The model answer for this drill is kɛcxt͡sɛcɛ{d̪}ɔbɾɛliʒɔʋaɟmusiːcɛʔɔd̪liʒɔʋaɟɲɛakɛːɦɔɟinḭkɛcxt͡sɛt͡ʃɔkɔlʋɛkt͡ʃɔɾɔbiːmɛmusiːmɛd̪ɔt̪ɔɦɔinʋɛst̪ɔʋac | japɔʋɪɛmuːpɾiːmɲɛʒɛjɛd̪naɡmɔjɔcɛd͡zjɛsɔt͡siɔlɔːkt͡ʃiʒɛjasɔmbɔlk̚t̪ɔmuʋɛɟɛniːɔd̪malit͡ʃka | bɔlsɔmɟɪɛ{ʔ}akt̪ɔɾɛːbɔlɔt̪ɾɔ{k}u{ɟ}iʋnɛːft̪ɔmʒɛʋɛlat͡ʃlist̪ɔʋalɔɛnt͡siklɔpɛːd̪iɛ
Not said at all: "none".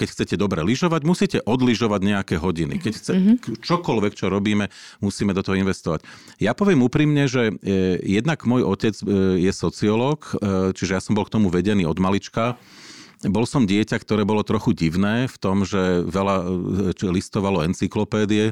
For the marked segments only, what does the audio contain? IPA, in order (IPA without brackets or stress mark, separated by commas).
d̪, c, x, ɟ